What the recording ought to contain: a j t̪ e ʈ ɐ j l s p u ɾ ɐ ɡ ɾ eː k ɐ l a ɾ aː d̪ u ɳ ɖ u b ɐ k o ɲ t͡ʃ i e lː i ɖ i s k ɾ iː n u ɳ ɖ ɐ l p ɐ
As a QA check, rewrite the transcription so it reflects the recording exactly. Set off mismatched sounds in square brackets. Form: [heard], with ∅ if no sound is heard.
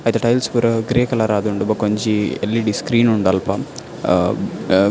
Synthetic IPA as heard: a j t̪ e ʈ ɐ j l s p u ɾ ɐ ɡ ɾ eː k ɐ l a ɾ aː d̪ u ɳ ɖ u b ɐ k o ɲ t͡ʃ i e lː i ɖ i s k ɾ iː n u ɳ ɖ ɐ l p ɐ